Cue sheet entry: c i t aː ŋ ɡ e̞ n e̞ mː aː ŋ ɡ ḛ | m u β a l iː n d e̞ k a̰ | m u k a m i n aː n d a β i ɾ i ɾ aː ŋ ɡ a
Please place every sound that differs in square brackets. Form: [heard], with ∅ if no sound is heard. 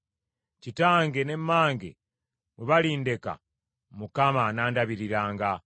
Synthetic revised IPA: c i t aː ŋ ɡ e̞ n e̞ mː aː ŋ ɡ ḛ | m u β a l iː n d e̞ k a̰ | m u k a m [a] n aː n d a β i ɾ i ɾ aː ŋ ɡ a